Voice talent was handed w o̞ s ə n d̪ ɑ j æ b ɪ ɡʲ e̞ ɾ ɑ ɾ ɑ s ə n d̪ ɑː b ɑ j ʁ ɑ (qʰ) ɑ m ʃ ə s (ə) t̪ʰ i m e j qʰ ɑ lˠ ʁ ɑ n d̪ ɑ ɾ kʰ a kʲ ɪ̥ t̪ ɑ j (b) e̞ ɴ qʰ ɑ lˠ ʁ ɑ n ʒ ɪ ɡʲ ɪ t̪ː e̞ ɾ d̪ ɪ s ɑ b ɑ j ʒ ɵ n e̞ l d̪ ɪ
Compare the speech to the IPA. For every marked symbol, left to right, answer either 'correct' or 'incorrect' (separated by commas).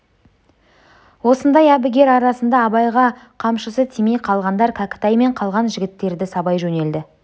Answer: correct, correct, incorrect